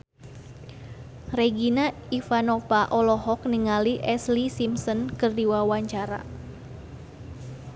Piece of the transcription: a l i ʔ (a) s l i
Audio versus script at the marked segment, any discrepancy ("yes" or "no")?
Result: yes